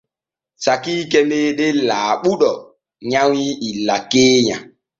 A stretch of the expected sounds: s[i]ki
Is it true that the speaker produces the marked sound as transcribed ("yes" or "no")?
no